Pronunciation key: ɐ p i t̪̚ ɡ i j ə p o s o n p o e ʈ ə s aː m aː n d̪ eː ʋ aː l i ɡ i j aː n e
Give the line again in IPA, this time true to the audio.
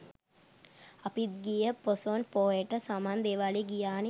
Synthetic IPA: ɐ p i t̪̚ ɡ i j ə p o s o n p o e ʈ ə s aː m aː n d̪ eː ʋ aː l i ɡ i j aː n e